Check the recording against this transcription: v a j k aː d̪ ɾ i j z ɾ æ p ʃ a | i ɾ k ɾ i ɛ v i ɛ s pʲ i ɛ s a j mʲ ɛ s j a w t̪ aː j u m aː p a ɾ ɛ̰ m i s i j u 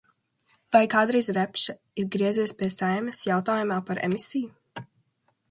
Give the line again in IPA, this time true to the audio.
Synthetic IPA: v a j k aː d̪ ɾ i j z ɾ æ p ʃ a | i ɾ ɡ ɾ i ɛ z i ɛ s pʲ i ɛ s a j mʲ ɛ s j a w t̪ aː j u m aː p a ɾ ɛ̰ m i s i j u